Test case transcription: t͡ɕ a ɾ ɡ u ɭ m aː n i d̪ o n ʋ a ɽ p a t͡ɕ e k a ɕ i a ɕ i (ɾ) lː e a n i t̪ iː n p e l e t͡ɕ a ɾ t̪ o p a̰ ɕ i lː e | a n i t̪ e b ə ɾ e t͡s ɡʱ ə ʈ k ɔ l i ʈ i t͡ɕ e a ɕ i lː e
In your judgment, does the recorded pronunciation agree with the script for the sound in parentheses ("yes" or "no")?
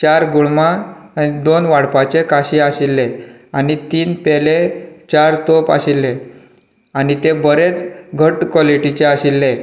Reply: no